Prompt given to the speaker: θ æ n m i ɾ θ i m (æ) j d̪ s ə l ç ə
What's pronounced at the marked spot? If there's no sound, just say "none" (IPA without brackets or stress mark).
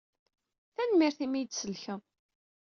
i